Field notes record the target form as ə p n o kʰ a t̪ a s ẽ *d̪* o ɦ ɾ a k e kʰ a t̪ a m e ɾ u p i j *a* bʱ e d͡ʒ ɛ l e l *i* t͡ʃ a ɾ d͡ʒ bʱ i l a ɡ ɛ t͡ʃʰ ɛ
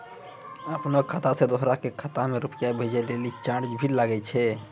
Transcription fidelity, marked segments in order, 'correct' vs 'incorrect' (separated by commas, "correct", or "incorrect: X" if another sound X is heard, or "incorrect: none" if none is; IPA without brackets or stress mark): correct, correct, correct